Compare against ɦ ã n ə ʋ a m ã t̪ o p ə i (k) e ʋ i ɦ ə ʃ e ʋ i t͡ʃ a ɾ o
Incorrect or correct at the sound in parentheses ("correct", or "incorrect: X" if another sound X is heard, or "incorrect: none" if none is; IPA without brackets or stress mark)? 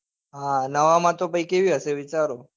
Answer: correct